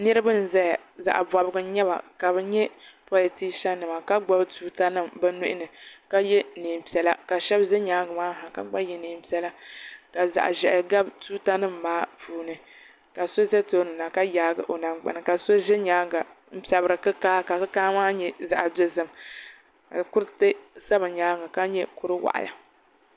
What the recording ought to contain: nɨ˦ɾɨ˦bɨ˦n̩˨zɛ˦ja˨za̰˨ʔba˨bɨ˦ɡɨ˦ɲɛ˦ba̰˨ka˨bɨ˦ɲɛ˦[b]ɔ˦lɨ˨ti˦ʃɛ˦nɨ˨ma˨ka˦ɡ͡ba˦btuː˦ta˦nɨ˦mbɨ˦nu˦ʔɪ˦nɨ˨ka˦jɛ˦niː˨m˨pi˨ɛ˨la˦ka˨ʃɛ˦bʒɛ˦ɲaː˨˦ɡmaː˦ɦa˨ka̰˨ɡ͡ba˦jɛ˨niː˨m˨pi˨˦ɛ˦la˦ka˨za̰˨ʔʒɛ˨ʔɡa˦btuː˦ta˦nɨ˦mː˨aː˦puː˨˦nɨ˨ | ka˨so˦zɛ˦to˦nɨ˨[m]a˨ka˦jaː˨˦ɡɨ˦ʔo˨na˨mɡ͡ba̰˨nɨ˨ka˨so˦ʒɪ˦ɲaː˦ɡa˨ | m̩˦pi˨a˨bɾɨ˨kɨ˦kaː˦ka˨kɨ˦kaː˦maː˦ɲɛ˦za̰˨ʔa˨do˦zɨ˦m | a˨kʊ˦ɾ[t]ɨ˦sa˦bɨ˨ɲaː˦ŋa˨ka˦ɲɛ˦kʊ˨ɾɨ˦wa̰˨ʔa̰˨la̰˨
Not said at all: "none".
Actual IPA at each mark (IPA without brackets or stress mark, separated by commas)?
p, n, t